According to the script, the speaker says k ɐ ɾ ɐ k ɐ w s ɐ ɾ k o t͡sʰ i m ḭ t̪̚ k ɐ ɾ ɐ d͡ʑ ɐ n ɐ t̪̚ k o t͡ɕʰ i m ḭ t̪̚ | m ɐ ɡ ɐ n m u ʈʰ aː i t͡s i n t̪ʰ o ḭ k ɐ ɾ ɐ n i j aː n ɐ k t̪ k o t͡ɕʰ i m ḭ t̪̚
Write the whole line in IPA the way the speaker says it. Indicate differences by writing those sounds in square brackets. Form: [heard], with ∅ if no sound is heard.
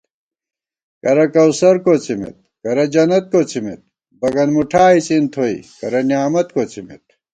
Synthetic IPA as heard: k ɐ ɾ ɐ k ɐ w s ɐ ɾ k o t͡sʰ i m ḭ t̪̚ k ɐ ɾ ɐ d͡ʑ ɐ n ɐ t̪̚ k o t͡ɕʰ i m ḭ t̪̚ | [b] ɐ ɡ ɐ n m u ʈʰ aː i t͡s i n t̪ʰ o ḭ k ɐ ɾ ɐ n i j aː [m] ɐ [∅] t̪ k o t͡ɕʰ i m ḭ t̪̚